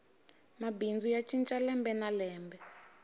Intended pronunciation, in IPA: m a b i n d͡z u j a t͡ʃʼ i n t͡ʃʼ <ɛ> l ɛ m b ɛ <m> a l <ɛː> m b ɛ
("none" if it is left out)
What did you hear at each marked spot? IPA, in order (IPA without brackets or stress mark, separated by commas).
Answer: a, n, ɛː